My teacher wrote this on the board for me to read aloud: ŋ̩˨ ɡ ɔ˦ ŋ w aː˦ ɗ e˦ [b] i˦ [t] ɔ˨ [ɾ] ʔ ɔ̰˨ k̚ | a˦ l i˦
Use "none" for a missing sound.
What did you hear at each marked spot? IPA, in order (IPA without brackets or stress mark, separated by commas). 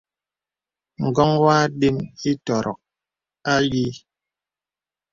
m, t, ɾ